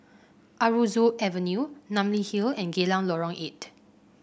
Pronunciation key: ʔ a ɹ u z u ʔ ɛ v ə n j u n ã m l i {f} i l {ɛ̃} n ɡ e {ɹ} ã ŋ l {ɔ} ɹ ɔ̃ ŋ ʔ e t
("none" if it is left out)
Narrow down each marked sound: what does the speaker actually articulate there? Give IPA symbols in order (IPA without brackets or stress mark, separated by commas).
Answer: h, ɛ̃, l, ɔ